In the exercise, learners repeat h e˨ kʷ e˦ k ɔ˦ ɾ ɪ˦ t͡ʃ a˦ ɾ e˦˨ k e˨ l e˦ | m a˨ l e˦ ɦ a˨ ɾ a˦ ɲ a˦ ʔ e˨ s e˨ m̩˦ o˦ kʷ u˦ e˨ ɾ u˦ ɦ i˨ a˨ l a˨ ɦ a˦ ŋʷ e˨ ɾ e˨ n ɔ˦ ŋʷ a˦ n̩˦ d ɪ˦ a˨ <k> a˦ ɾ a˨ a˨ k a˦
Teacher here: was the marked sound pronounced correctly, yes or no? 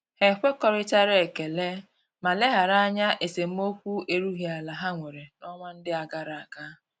no